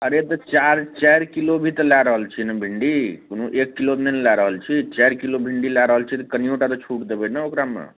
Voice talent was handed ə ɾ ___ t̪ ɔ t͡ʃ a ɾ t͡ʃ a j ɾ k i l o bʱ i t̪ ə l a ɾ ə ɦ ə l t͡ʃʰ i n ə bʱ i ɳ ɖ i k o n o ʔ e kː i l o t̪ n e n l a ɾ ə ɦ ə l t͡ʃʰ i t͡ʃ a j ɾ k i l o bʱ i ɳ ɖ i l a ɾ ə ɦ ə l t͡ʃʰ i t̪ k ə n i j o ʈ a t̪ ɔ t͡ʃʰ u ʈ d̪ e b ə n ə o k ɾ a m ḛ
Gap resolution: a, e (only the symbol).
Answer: e